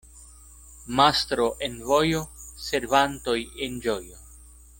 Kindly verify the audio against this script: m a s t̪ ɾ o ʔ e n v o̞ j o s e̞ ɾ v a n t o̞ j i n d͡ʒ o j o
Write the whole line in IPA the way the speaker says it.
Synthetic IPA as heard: m a s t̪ ɾ o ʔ e n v o̞ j o s e̞ ɾ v a n t o̞ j e n d͡ʒ o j o

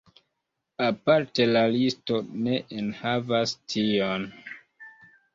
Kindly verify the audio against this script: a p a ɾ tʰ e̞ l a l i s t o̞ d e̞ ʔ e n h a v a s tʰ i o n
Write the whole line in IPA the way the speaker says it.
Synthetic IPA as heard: a p a ɾ t e̞ l a l i s t o̞ n e̞ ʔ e n h a v a s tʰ i o n

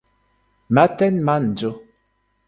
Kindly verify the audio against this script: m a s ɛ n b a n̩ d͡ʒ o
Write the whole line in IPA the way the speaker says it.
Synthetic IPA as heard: m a t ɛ n m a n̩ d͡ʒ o

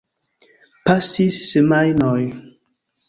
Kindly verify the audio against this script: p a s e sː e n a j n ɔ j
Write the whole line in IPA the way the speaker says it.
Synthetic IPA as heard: p a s i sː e m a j n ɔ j

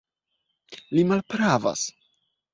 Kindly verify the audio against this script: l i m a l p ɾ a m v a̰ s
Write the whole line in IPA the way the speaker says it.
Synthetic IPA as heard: l i m a l p ɾ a v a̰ s

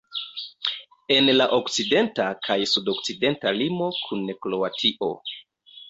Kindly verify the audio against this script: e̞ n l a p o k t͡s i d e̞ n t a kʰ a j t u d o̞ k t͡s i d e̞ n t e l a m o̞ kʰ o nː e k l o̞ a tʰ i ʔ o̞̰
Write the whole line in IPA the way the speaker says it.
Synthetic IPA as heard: e̞ n l a ʔ o k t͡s i d e̞ n t a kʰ a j s u d o̞ k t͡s i d e̞ n t a l i m o̞ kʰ u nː e k l o̞ a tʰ i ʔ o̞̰

